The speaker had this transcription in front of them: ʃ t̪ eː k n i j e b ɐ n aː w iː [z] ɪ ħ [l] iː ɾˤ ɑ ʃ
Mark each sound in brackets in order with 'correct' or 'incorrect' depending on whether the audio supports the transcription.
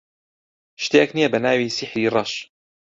incorrect, incorrect

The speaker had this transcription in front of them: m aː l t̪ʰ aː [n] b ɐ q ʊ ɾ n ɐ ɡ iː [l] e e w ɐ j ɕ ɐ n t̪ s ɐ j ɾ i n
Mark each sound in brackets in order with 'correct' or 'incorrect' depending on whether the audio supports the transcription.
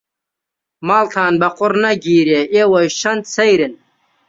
correct, incorrect

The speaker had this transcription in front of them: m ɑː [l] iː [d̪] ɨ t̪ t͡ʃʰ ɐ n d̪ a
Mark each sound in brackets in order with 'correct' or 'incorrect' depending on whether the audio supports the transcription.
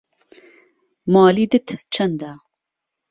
correct, correct

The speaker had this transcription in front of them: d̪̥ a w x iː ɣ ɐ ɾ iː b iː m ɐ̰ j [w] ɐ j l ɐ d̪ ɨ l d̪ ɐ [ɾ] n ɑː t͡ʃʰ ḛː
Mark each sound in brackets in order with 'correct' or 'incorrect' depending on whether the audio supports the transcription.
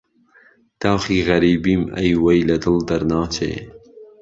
correct, correct

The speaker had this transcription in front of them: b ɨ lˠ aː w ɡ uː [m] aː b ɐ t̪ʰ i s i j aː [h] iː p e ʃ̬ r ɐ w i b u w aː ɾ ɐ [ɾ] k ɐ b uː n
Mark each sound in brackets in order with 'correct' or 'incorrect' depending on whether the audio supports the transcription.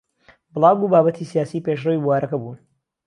incorrect, incorrect, incorrect

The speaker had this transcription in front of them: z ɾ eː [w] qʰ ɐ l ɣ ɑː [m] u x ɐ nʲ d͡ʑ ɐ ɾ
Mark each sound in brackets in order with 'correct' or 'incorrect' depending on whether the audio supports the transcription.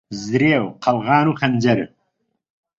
correct, incorrect

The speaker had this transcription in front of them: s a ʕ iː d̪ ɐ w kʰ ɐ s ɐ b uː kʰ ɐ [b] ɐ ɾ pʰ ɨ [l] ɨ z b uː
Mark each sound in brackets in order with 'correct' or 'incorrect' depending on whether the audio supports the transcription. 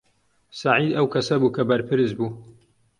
correct, incorrect

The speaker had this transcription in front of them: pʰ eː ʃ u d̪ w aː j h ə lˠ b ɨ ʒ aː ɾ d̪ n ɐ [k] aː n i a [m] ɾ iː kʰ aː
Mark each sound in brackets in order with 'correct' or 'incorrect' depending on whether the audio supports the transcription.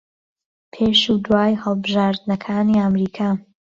incorrect, correct

